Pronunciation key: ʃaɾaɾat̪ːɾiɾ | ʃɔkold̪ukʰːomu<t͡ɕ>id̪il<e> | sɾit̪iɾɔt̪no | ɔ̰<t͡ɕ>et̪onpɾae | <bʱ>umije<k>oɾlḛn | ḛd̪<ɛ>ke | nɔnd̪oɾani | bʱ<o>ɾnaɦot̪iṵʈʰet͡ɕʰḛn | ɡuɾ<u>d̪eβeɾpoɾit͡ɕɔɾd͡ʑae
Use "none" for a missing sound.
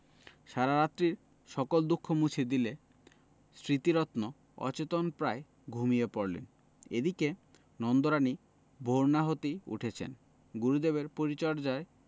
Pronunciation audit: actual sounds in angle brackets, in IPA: t͡ɕʰ, e, t͡ɕ, ɡʱ, p, i, o, u

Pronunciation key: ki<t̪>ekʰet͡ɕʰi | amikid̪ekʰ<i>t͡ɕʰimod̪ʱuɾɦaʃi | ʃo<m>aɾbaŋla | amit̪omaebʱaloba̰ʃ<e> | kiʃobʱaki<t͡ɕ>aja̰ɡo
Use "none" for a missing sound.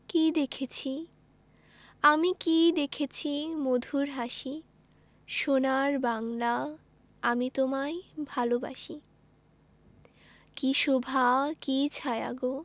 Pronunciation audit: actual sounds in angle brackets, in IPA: d̪, e, n, i, t͡ɕʰ

